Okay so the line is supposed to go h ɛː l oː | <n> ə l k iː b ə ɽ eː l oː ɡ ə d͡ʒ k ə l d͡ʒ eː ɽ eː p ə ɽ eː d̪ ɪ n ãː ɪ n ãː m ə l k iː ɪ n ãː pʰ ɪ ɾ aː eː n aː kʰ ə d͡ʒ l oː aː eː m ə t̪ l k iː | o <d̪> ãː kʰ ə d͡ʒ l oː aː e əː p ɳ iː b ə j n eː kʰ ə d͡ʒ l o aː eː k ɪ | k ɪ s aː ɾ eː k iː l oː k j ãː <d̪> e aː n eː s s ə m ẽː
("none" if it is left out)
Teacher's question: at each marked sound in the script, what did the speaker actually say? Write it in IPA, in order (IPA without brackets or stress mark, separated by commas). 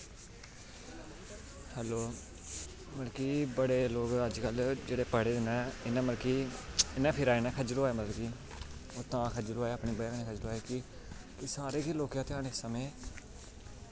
m, t̪, t̪